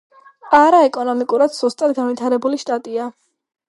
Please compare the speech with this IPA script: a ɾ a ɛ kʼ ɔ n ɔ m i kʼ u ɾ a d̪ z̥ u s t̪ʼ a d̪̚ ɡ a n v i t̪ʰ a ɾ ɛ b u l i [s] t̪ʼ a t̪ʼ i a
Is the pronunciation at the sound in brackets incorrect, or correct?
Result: incorrect